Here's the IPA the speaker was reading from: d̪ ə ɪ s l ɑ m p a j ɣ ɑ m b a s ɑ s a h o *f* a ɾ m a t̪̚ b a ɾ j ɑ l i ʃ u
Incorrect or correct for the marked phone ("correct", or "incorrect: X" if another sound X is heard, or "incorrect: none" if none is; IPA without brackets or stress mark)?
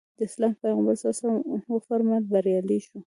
correct